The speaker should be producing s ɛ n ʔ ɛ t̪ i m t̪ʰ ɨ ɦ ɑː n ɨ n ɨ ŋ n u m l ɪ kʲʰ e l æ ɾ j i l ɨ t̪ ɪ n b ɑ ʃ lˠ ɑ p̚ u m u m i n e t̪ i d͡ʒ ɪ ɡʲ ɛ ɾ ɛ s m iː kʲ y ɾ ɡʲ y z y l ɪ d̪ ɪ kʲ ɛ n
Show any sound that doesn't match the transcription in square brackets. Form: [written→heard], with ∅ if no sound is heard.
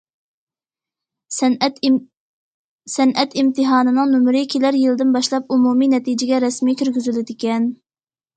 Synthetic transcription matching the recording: s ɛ n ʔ ɛ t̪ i m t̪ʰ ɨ ɦ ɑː n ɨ n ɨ ŋ n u m [l→ɾ] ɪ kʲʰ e l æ ɾ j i l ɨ [t̪→d̪] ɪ n b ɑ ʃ lˠ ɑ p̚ u m u m i n [e→ɛ] t̪ i d͡ʒ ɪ ɡʲ ɛ ɾ ɛ s m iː kʲ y ɾ ɡʲ y z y l ɪ d̪ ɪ kʲ ɛ n